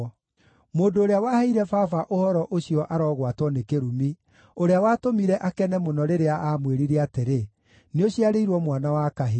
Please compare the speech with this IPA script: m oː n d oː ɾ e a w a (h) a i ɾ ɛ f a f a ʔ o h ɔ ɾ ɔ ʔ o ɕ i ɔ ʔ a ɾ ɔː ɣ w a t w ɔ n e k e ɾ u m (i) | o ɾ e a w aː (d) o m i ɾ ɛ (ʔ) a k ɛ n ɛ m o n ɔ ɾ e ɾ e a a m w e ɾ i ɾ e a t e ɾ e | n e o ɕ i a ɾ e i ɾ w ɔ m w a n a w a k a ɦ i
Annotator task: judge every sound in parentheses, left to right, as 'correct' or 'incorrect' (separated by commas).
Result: correct, correct, incorrect, correct